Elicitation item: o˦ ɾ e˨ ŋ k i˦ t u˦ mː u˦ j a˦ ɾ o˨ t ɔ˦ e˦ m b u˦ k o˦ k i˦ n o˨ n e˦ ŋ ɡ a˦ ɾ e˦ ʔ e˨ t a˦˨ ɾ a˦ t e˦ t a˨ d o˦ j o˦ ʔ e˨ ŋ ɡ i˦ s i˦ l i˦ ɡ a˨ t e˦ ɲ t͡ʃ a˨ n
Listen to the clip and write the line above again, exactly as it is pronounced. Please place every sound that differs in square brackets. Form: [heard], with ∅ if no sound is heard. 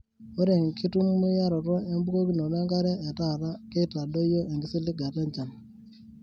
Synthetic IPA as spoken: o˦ ɾ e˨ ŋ k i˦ t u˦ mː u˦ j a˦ ɾ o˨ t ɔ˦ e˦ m b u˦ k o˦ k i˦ n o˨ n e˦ ŋ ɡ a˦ ɾ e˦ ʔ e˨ t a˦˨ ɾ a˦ [k] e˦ t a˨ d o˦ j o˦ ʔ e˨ ŋ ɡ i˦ s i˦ l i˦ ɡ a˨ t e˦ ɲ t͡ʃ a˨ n

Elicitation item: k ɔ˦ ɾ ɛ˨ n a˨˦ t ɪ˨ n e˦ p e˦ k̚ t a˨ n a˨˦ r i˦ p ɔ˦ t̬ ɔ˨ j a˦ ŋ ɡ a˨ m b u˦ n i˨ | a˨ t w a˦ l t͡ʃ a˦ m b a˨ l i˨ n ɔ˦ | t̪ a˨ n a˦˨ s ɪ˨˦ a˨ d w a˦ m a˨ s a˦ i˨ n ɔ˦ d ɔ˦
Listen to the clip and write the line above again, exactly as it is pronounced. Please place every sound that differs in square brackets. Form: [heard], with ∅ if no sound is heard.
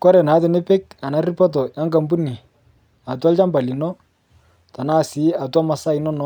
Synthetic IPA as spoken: k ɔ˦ ɾ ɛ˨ n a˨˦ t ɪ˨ n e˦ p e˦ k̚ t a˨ n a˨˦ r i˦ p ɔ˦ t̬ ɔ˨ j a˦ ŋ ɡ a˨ m b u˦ n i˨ | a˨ t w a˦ l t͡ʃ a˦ m b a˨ l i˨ n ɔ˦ | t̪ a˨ n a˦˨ s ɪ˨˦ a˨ [t] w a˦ m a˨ s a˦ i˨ n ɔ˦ [n] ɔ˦

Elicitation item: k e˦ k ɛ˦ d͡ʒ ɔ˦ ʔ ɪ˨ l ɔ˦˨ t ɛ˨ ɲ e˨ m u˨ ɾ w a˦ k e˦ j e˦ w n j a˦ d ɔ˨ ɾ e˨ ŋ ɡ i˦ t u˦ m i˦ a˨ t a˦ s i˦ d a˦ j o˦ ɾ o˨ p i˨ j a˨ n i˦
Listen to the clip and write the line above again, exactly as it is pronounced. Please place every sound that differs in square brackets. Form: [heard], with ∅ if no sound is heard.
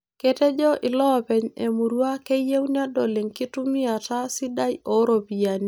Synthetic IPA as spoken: k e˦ [t] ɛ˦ d͡ʒ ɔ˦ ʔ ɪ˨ l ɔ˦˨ [p] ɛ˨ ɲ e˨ m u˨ ɾ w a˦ k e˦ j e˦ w n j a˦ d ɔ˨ [l] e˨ ŋ [k] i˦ t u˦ m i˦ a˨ t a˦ s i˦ d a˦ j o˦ ɾ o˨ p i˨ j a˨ n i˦

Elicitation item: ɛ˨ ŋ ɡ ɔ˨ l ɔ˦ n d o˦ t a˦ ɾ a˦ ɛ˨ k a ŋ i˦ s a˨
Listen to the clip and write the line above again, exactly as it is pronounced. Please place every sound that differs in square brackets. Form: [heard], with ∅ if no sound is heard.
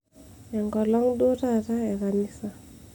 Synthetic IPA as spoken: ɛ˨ ŋ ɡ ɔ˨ l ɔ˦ [ŋ] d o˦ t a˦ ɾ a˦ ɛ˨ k a [n] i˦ s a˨

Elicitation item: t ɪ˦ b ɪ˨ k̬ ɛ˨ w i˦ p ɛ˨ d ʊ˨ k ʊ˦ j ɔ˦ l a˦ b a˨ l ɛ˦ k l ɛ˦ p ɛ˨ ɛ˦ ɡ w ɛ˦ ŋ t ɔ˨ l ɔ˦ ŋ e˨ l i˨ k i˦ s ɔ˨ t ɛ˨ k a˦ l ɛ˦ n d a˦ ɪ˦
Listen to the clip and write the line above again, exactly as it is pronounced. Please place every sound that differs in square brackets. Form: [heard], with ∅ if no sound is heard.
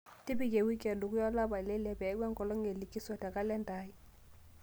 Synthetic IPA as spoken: t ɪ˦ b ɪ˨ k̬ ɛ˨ w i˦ [k] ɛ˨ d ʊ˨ k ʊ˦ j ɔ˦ l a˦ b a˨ l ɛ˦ [∅] l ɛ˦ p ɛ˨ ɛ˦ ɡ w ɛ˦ ŋ [k] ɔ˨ l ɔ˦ ŋ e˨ l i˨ k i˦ s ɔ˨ t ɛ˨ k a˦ l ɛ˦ n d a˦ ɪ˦

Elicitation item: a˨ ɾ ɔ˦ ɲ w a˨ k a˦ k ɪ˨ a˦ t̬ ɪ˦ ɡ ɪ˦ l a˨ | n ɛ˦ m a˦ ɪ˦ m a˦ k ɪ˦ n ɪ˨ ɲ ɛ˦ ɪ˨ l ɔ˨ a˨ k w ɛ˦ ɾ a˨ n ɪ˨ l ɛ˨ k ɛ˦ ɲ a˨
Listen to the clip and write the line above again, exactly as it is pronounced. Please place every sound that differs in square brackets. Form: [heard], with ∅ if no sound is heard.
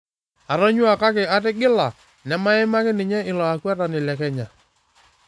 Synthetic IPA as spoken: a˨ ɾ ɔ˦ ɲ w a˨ k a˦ k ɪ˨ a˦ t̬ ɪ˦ ɡ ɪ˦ l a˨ | n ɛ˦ m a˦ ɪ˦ m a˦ k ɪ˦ n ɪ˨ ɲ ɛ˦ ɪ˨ l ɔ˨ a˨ k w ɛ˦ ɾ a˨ n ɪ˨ l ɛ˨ k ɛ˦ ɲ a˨

